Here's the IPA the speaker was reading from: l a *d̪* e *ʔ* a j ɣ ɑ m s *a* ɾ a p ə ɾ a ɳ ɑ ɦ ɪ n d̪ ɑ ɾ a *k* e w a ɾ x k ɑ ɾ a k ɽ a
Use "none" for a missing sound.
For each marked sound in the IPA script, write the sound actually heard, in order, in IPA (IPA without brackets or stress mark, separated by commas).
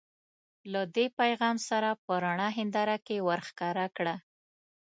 d̪, p, a, k